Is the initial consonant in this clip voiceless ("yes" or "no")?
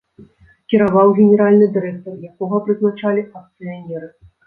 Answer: yes